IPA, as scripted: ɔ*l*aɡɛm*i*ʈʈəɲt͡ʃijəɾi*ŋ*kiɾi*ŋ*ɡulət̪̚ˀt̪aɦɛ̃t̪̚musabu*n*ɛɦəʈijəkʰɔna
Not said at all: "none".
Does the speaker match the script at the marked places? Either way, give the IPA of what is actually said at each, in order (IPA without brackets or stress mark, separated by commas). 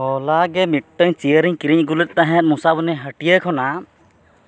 l, i, ɲ, ɲ, n